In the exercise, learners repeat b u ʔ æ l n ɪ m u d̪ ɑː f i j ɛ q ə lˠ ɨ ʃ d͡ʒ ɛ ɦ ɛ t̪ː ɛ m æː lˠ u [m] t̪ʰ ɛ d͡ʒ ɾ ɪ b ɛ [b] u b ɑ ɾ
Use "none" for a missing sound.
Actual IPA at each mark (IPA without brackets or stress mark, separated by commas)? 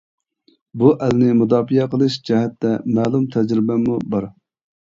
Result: m, m